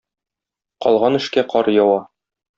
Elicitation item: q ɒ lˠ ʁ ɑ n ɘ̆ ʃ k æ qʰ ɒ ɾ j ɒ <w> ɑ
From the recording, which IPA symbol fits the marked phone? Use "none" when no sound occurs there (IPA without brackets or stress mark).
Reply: w